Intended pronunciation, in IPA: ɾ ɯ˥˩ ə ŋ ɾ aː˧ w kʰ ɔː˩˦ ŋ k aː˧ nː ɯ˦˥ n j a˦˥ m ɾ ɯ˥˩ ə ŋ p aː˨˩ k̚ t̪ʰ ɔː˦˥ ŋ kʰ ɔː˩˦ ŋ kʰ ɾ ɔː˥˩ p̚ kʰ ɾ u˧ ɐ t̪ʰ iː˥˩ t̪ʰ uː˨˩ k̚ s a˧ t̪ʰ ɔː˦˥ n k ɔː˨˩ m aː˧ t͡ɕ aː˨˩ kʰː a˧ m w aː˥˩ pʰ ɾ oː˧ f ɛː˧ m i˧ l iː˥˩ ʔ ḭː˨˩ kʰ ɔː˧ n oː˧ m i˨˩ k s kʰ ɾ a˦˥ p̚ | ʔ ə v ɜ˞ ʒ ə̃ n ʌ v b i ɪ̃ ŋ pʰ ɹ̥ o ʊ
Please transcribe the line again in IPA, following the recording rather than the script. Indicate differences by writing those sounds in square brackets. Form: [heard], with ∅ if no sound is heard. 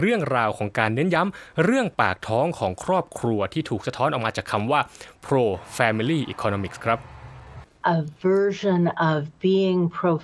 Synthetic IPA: ɾ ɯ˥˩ ə ŋ ɾ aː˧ w kʰ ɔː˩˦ ŋ k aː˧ nː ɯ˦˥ n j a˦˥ m ɾ ɯ˥˩ ə ŋ p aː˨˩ k̚ t̪ʰ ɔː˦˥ ŋ kʰ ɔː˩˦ ŋ kʰ ɾ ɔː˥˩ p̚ kʰ ɾ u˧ ɐ t̪ʰ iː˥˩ t̪ʰ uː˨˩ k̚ s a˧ t̪ʰ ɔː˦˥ n [ʔ] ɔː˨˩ m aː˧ t͡ɕ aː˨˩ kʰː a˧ m w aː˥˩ pʰ ɾ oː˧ f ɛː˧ m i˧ l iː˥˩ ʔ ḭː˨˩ kʰ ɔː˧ n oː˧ m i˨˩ k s kʰ ɾ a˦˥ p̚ | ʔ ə v ɜ˞ ʒ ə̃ n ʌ v b i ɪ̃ ŋ pʰ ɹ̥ o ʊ